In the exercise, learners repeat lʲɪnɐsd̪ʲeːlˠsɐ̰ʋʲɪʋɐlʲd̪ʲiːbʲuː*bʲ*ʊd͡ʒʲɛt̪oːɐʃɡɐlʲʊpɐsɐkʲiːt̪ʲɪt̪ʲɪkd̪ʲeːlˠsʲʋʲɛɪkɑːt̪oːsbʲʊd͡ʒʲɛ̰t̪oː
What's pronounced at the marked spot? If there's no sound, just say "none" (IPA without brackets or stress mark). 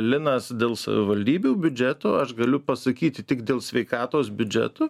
bʲ